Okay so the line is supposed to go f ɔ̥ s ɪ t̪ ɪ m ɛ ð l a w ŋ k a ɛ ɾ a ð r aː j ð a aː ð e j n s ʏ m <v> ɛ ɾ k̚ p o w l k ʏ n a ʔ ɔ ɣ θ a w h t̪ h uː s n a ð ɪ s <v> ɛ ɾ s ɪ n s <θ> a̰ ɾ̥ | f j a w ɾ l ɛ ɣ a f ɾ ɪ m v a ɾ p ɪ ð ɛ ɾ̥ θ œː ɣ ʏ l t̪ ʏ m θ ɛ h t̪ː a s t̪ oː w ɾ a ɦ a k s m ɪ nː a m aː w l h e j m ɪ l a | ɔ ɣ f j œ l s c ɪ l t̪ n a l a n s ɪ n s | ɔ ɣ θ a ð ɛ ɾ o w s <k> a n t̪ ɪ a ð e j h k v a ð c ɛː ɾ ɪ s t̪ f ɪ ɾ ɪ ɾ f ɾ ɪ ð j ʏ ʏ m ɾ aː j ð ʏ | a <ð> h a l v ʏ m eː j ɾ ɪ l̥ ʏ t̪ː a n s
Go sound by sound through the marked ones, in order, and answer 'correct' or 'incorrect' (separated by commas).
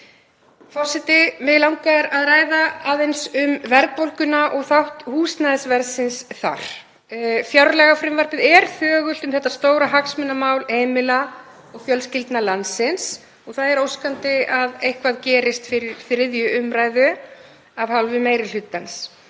correct, correct, correct, correct, incorrect